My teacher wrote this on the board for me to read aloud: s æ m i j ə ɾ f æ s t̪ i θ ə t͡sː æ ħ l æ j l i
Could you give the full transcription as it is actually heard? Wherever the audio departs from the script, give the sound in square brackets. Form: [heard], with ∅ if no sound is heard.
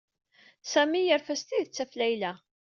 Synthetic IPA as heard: s æ m i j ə ɾ f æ s t̪ i [ð] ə t͡sː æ [f] l æ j l [æ]